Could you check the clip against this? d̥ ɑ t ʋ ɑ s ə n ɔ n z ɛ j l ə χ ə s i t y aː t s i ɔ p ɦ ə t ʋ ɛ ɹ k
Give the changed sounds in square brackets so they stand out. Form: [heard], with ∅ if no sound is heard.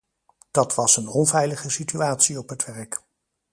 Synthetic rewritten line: d̥ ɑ t ʋ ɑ s ə n ɔ n [v] ɛ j l ə χ ə s i t y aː t s i ɔ p ɦ ə t ʋ ɛ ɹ k